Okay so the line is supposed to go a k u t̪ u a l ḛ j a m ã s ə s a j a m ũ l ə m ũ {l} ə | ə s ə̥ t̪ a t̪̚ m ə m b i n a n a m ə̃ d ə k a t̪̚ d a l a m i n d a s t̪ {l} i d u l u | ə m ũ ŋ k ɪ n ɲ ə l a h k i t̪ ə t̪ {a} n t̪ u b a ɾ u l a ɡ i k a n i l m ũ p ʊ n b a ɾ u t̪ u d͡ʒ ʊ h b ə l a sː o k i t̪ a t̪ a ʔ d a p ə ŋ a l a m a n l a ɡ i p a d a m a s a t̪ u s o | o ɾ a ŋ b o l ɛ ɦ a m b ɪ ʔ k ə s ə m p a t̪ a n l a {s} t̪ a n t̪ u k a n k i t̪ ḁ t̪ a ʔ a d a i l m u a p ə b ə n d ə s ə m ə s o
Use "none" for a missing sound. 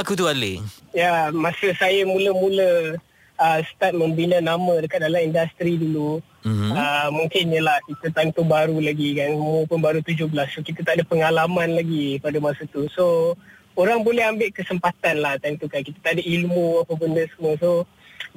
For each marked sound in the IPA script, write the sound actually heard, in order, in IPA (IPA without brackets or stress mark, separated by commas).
l, ɾ, a, h